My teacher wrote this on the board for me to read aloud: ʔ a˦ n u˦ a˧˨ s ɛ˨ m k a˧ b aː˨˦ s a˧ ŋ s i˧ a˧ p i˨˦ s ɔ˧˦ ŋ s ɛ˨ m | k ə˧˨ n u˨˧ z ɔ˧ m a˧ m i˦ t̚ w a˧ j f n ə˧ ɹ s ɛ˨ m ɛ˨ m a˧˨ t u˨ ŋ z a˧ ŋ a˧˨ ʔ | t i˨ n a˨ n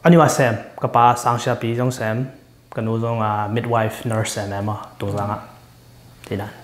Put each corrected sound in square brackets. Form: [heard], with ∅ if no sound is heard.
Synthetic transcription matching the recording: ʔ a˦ n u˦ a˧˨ s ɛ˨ m k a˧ [p] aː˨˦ s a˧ ŋ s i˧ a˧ p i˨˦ [z] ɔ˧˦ ŋ s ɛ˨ m | k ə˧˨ n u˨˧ z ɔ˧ [ŋ] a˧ m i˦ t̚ w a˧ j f n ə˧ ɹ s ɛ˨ m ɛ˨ m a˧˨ t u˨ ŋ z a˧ ŋ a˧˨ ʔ | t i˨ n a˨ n